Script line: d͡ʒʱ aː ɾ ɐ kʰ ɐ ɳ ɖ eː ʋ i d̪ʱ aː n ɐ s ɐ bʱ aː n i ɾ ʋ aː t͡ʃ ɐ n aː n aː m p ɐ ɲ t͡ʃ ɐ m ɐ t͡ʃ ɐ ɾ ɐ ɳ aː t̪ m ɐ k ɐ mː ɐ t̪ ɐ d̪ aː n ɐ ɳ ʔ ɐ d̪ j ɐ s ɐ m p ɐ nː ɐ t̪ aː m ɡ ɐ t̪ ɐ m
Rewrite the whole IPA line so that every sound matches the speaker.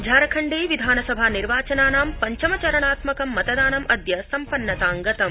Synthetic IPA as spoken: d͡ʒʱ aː ɾ ɐ kʰ ɐ ɳ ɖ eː ʋ i d̪ʱ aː n ɐ s ɐ bʱ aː n i ɾ ʋ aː t͡ʃ ɐ n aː n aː m p ɐ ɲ t͡ʃ ɐ m ɐ t͡ʃ ɐ ɾ ɐ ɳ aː t̪ m ɐ k ɐ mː ɐ t̪ ɐ d̪ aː n ɐ m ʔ ɐ d̪ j ɐ s ɐ m p ɐ nː ɐ t̪ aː ŋ ɡ ɐ t̪ ɐ m